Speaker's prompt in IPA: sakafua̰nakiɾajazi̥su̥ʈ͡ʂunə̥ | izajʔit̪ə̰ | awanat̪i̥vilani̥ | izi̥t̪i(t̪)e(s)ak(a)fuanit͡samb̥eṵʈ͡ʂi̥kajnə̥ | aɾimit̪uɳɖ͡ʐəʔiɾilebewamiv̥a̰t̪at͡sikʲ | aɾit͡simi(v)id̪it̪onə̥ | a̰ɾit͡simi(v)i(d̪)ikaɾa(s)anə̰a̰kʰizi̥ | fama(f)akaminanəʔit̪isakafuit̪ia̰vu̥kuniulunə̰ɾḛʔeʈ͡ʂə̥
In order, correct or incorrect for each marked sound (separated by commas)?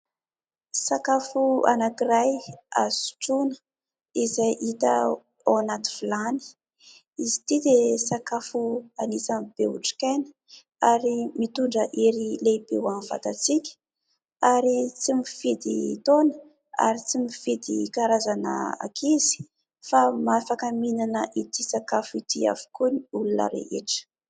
incorrect, correct, correct, incorrect, incorrect, correct, incorrect, correct